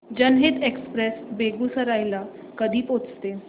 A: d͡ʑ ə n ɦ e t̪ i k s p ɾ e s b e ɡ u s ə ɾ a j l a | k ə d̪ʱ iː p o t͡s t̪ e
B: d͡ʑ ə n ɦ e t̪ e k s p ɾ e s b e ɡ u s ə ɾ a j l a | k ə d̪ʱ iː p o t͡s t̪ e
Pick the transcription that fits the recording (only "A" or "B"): B